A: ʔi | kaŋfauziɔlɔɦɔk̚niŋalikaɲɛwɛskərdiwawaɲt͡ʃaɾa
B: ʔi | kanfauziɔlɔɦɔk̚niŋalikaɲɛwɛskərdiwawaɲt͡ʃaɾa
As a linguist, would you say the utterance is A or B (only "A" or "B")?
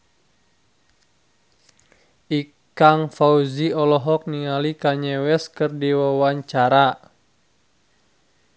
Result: A